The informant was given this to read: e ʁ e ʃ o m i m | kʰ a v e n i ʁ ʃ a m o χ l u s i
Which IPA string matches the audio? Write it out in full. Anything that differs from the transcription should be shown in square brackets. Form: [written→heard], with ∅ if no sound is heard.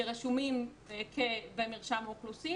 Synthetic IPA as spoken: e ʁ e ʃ [o→u] m i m | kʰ [a→e] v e [n→m] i ʁ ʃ a m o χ l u s i